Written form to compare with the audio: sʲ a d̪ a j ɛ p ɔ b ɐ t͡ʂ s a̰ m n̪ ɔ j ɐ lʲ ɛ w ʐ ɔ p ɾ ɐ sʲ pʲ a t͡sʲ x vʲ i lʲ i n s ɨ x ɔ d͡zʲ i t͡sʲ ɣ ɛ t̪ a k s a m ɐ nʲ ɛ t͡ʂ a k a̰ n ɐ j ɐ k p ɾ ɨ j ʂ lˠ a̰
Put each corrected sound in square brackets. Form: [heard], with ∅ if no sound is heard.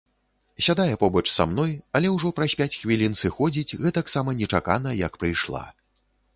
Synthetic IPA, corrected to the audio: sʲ a d̪ a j ɛ p ɔ b ɐ t͡ʂ s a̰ m n̪ ɔ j ɐ lʲ ɛ w ʐ ɔ p ɾ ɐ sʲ pʲ a t͡sʲ x vʲ i lʲ i n s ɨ x ɔ d͡zʲ i t͡sʲ ɣ ɛ t̪ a k s a m ɐ nʲ ɛ t͡ʂ a k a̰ n ɐ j ɐ k p ɾ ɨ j ʂ lˠ a̰